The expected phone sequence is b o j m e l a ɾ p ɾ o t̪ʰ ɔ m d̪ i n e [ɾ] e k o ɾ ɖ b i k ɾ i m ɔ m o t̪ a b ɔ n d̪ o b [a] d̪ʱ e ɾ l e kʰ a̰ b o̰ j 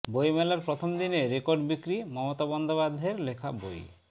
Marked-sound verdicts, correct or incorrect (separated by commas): correct, correct